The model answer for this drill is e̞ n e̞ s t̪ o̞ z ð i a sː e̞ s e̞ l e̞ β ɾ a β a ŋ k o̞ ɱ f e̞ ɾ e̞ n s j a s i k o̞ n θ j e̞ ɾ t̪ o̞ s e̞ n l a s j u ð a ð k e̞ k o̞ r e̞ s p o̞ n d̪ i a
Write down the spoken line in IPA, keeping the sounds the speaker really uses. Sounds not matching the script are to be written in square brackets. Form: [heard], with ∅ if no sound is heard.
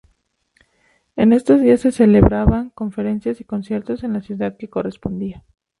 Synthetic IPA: e̞ n e̞ s t̪ o̞ z ð i a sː e̞ s e̞ l e̞ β ɾ a β a ŋ k o̞ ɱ f e̞ ɾ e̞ n s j a s i k o̞ n [s] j e̞ ɾ t̪ o̞ s e̞ n l a s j u ð a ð k e̞ k o̞ r e̞ s p o̞ n d̪ i a